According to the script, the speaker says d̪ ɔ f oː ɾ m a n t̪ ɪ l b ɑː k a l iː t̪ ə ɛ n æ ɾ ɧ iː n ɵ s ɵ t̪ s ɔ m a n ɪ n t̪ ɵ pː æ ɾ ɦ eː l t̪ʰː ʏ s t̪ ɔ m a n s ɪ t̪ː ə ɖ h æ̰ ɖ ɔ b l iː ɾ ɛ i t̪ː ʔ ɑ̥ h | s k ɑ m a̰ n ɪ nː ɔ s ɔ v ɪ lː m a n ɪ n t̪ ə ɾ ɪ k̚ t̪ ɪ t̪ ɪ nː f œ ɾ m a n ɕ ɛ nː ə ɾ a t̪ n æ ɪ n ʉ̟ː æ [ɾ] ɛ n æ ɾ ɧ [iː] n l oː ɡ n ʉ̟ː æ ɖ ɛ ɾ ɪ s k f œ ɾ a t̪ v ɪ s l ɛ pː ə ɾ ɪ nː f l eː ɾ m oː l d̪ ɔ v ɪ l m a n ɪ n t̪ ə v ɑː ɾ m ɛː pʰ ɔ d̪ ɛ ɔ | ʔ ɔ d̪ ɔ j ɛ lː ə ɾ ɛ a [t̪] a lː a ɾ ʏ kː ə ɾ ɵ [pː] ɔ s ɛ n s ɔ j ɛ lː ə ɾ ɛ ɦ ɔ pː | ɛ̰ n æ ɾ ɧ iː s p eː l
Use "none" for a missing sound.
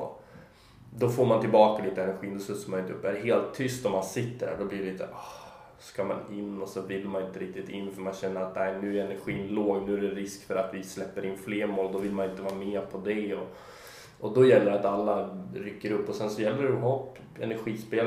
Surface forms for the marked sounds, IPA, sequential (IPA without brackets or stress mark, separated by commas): ɾ, iː, t̪, pː